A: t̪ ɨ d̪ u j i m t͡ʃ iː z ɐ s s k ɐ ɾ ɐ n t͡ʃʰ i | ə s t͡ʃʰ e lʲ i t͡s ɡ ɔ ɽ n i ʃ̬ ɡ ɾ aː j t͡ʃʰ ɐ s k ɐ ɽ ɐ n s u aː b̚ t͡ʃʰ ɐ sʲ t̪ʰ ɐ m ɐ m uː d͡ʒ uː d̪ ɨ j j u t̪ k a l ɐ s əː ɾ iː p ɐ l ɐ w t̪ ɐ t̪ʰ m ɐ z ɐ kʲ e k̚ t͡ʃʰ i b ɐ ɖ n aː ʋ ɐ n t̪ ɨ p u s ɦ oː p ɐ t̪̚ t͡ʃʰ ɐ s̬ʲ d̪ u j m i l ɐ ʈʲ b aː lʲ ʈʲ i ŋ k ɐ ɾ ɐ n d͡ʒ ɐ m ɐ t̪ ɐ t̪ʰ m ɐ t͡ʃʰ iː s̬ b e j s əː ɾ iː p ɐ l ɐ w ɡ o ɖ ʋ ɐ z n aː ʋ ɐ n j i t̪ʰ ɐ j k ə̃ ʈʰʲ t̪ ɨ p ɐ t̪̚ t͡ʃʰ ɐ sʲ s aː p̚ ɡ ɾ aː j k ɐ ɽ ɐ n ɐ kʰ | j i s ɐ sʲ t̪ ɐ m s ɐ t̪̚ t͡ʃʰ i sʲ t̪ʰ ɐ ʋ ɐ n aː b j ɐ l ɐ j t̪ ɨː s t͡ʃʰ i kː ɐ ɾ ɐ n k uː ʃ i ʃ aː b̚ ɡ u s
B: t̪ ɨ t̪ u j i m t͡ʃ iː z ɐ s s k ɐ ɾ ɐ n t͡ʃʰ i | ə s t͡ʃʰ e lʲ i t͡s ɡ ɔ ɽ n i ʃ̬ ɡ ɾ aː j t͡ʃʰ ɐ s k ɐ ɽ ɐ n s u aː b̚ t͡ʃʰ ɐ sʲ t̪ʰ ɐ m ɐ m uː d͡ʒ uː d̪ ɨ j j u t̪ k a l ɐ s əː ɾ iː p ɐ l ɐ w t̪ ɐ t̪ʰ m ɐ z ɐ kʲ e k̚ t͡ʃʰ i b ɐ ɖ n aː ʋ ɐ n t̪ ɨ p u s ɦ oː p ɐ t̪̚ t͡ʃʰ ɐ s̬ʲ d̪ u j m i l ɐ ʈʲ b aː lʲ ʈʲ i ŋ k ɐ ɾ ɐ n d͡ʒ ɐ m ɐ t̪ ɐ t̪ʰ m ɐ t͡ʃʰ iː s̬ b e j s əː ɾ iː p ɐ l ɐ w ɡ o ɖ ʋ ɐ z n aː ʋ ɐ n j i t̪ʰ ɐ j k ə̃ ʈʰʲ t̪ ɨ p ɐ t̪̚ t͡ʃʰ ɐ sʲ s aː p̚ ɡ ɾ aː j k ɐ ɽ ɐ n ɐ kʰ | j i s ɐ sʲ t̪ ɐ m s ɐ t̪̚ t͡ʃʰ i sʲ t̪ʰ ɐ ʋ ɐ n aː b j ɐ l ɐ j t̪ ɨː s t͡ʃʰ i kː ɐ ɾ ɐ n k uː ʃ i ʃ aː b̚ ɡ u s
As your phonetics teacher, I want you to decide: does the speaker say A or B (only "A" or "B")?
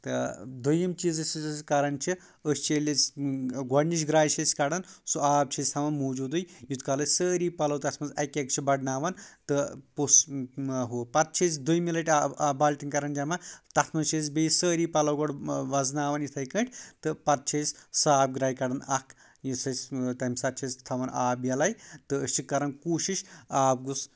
A